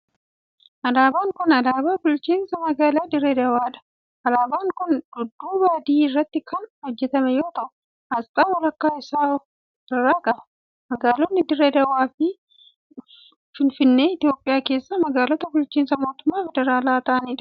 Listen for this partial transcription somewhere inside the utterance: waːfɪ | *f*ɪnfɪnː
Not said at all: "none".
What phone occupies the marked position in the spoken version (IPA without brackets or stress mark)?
f